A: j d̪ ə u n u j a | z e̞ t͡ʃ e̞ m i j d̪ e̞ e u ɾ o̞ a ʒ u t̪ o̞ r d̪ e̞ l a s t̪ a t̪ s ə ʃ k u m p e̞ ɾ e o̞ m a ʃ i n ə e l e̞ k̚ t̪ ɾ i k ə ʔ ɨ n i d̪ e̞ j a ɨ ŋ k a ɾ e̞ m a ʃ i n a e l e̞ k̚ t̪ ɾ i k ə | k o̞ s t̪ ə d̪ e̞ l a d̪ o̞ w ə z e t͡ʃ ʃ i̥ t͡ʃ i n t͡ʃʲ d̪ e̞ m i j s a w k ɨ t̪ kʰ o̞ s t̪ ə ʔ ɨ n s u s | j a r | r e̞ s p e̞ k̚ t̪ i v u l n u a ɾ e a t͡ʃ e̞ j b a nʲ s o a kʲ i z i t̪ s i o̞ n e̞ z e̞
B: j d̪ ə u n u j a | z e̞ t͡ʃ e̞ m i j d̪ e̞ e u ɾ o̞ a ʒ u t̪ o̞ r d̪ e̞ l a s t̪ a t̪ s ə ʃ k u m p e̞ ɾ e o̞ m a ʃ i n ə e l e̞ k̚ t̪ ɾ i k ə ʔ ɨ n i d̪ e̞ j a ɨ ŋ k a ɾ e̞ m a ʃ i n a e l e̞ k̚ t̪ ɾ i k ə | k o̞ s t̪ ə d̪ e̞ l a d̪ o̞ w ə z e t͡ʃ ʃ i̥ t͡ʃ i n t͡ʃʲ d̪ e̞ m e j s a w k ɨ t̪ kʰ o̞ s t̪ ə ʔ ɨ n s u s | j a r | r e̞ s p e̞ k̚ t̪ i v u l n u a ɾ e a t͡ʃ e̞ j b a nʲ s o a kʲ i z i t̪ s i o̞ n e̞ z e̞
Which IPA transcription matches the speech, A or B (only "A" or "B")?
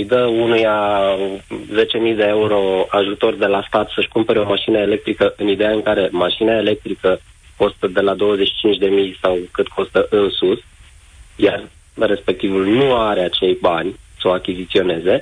A